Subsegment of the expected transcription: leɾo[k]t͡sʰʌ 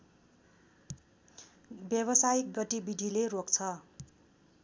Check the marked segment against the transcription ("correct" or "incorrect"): correct